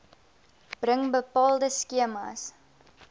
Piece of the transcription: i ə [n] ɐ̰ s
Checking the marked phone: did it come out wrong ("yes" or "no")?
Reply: yes